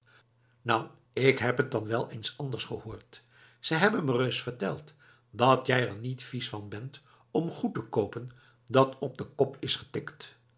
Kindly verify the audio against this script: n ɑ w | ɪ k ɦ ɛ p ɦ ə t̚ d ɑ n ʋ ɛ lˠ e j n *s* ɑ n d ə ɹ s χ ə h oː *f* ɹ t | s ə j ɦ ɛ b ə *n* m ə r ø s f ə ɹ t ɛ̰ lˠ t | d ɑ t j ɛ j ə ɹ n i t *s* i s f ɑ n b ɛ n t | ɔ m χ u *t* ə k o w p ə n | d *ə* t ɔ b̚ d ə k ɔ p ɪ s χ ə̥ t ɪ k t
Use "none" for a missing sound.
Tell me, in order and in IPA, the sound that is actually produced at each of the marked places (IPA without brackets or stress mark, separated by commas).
s, none, n, f, t, ɑ